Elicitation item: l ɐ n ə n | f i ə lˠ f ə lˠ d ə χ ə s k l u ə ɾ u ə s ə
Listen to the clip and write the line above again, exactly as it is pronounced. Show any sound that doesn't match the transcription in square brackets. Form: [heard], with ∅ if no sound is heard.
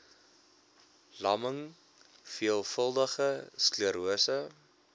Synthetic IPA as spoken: l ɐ [m] ə [ŋ] | f i ə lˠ f ə lˠ d ə χ ə s k l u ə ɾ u ə s ə